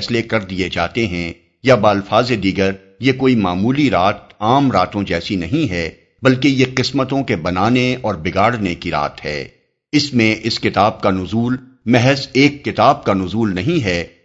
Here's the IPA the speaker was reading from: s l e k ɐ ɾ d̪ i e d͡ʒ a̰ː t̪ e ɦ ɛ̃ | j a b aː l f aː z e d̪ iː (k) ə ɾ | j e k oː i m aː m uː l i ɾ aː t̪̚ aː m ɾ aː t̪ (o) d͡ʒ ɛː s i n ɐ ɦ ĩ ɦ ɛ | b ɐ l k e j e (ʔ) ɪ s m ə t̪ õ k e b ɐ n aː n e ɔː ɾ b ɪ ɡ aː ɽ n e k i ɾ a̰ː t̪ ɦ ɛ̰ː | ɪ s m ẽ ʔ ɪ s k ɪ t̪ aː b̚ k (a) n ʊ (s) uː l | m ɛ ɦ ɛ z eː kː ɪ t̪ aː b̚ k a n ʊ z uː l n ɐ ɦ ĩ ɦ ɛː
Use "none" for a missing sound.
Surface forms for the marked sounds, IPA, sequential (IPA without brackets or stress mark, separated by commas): ɡ, õ, q, a, z